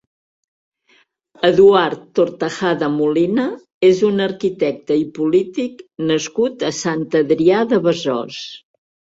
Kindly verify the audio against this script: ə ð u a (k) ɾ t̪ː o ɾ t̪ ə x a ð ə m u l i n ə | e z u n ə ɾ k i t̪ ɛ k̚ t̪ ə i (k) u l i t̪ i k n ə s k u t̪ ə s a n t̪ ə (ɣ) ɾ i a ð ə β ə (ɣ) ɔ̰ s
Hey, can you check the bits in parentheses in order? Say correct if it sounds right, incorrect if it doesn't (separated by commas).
incorrect, incorrect, incorrect, incorrect